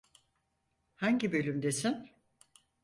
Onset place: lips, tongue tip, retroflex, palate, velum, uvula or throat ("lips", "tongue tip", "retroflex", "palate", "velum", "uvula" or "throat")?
throat